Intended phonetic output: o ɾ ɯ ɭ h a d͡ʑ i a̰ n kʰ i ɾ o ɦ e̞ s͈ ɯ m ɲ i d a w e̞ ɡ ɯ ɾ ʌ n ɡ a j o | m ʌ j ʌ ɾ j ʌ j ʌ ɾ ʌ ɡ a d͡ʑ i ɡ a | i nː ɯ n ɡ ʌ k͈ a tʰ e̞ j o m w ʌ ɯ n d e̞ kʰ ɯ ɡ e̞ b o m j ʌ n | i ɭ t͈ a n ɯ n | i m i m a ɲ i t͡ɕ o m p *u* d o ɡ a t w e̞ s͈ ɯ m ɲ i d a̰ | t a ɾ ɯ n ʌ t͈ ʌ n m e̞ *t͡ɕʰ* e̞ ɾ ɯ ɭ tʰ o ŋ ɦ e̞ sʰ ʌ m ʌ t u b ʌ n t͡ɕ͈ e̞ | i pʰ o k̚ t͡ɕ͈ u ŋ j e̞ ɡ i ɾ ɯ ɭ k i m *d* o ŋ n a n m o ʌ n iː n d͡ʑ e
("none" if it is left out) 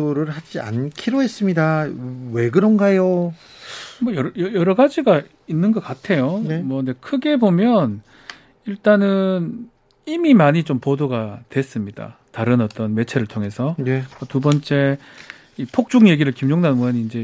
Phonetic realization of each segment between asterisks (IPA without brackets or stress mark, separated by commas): o, t͡ɕʰ, d͡ʑ